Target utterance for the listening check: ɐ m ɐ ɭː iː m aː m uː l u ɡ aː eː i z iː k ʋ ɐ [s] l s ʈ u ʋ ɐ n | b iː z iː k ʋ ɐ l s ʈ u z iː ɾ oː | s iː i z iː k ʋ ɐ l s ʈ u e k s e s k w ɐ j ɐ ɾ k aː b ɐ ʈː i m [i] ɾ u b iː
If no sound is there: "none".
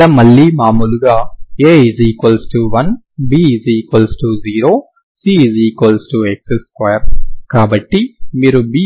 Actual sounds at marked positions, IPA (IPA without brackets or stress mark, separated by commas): none, iː